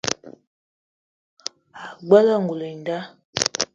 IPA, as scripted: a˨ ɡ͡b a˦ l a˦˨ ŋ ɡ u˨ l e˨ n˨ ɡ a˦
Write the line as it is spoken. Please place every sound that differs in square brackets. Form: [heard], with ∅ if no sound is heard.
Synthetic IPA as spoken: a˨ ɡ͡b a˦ l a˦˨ ŋ ɡ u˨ l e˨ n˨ [d] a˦